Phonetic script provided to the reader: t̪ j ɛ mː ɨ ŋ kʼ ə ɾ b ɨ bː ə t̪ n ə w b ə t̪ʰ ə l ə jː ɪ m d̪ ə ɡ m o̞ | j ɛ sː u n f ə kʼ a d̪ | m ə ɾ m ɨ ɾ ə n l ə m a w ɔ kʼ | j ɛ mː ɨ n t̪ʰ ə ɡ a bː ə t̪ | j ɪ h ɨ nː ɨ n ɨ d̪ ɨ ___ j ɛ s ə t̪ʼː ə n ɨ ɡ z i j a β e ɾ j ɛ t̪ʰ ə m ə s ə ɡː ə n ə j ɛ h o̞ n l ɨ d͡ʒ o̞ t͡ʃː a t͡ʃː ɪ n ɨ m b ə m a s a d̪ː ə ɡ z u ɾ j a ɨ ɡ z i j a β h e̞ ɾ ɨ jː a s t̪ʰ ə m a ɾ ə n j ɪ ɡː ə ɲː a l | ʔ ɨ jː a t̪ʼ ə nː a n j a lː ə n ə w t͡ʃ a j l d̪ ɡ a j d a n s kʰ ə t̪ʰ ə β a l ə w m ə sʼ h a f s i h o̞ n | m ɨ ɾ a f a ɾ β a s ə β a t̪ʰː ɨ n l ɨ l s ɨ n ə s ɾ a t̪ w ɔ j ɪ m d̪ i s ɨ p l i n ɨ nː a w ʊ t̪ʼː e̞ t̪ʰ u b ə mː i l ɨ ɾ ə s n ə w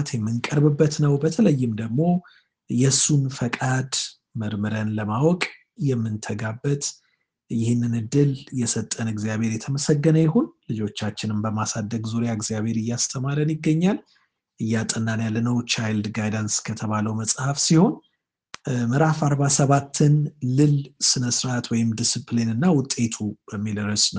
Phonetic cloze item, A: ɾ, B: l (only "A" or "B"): B